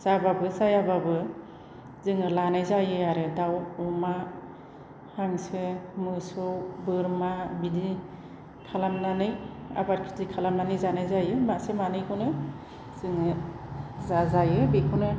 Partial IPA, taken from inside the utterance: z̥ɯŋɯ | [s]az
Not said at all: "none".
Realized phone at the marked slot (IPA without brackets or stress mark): z